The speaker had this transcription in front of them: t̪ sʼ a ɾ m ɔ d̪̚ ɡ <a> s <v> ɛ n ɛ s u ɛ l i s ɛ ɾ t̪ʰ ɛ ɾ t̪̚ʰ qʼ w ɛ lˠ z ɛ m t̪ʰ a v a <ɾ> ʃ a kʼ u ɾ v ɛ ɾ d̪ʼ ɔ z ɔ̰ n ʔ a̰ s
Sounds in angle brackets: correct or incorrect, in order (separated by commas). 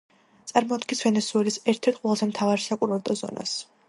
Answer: incorrect, correct, correct